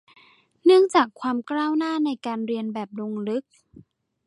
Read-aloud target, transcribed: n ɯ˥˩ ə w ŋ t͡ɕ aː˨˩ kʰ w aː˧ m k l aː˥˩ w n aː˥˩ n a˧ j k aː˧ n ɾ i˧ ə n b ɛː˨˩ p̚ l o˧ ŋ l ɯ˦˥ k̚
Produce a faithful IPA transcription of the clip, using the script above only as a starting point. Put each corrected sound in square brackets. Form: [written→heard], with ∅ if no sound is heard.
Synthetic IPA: n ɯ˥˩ ə [w→∅] ŋ t͡ɕ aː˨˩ kʰ w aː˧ m k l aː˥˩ w n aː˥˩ n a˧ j k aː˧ n ɾ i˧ ə n b ɛː˨˩ p̚ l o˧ ŋ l ɯ˦˥ k̚

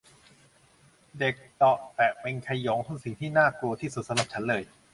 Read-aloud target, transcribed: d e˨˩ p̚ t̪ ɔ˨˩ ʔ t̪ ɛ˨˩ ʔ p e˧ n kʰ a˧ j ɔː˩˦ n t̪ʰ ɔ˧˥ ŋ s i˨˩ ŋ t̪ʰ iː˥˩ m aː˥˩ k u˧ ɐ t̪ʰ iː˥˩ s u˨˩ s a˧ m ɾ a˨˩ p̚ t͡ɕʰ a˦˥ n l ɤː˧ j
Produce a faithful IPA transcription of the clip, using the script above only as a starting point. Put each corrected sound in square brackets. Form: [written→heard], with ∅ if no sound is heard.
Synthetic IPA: d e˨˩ [p̚→k̚] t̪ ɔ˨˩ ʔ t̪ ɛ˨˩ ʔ p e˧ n kʰ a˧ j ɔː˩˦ [n→ŋ] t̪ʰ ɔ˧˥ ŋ s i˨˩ ŋ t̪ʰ iː˥˩ [m→n] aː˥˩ k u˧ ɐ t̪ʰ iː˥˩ s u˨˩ s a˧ m ɾ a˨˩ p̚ t͡ɕʰ a˦˥ n l ɤː˧ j

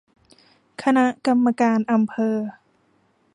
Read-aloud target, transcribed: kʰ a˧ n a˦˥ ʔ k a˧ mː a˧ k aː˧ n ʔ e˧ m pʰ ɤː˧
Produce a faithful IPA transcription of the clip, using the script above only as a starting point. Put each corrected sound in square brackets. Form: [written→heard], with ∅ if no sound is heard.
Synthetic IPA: kʰ a˧ n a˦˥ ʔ k a˧ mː a˧ k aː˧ n ʔ [e˧→a˧] m pʰ ɤː˧

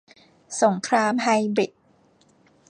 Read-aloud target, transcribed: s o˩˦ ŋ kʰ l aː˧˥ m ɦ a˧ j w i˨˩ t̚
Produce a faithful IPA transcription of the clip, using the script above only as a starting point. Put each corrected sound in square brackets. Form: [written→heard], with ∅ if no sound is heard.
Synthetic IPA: s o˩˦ ŋ kʰ [l→ɾ] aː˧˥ m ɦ a˧ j [w→b] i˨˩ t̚

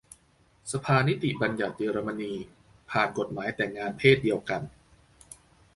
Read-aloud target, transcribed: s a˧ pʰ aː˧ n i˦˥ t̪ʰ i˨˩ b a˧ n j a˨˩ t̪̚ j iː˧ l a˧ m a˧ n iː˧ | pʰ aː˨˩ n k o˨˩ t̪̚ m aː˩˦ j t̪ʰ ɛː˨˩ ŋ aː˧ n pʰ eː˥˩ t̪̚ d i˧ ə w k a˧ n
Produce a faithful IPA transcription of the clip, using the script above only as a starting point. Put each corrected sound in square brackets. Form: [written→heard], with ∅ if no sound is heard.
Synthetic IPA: s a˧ pʰ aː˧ n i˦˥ [t̪ʰ→t̪] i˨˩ b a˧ n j a˨˩ t̪̚ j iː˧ [l→ɾ] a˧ m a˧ n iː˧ | pʰ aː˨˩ n k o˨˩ t̪̚ m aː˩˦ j [t̪ʰ→t̪] ɛː˨˩ ŋ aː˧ n pʰ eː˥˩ t̪̚ d i˧ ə w k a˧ n

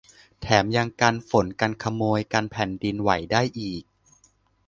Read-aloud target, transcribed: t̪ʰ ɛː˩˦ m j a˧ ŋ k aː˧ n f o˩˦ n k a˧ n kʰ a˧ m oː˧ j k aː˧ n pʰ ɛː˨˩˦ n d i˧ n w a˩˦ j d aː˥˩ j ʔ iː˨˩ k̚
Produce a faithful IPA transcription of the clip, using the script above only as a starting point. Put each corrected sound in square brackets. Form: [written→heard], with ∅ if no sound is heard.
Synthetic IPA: t̪ʰ ɛː˩˦ m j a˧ ŋ k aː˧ n f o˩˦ n k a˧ n kʰ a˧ m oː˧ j k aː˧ n pʰ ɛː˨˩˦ n d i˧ n w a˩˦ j d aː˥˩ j ʔ iː˨˩ k̚

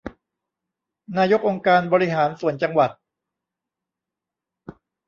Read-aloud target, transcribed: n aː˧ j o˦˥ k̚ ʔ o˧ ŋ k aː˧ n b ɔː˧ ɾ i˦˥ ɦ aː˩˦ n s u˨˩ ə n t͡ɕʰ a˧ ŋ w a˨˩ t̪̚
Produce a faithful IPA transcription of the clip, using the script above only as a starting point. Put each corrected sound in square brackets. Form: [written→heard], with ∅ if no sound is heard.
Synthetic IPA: n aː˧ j o˦˥ k̚ ʔ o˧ ŋ k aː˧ n b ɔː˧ ɾ i˦˥ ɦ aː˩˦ n s u˨˩ ə n [t͡ɕʰ→t͡ɕ] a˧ ŋ w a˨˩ t̪̚

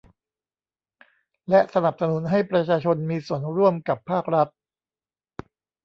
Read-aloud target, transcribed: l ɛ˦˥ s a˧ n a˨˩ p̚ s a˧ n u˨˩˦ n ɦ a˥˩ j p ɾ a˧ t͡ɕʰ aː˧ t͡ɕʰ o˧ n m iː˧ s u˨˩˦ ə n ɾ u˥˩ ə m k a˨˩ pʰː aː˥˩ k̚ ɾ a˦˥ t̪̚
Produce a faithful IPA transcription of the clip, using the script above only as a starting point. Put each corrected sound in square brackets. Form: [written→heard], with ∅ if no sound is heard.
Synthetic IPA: l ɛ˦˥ s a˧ n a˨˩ p̚ s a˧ n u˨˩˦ n ɦ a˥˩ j p ɾ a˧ t͡ɕʰ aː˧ t͡ɕʰ o˧ n m iː˧ s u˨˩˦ ə n ɾ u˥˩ ə m k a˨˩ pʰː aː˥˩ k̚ ɾ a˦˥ t̪̚

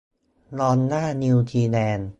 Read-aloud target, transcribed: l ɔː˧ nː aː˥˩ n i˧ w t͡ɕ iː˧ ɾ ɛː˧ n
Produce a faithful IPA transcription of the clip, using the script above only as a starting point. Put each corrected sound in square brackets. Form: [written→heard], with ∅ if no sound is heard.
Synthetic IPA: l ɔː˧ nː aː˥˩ n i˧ w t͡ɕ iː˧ [ɾ→l] ɛː˧ n

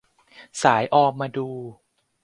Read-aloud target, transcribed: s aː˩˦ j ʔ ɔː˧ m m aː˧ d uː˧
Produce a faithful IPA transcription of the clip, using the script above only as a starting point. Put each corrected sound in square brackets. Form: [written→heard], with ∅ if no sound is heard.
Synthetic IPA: s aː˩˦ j ʔ ɔː˧ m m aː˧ d uː˧

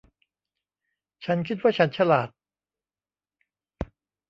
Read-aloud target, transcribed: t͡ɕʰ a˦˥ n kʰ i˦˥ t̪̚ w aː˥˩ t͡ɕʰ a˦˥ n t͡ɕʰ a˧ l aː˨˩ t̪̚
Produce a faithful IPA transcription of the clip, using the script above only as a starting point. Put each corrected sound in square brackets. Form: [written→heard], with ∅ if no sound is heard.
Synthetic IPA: t͡ɕʰ a˦˥ n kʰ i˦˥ t̪̚ w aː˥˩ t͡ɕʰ a˦˥ n t͡ɕʰ a˧ l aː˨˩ t̪̚

